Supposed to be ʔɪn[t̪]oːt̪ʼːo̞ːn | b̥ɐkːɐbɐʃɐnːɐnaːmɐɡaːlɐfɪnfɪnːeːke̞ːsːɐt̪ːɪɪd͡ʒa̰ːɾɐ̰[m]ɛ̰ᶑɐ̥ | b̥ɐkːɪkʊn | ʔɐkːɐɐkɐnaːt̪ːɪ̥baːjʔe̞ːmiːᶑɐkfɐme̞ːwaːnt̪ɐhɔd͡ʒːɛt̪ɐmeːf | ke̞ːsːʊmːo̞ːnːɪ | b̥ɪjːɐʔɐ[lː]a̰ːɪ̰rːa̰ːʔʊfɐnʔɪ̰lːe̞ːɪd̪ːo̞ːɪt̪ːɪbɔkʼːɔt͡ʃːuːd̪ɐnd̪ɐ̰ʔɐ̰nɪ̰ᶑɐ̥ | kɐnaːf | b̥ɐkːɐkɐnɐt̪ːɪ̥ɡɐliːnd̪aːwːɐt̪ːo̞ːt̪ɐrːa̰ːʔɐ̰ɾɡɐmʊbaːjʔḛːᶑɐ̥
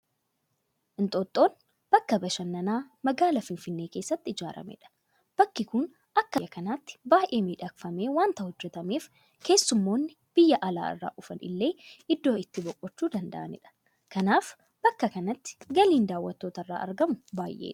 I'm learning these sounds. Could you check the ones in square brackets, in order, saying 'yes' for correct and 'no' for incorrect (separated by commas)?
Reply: no, yes, no